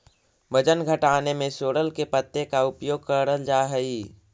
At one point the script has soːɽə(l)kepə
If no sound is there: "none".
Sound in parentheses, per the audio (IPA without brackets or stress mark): l